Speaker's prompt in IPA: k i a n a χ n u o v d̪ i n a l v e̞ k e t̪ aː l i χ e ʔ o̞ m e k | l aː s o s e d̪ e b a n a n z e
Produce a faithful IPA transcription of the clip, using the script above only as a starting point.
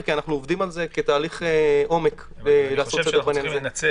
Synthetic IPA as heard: k i a n a χ n u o v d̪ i m a l z e̞ k e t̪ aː l i χ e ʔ o̞ m e k | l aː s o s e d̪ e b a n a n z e